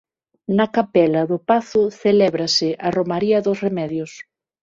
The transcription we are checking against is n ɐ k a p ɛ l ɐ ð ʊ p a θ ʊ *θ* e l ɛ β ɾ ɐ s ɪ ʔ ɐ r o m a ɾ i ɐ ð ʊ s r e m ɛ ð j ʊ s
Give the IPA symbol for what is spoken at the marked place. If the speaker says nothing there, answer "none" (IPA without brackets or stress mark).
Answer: θ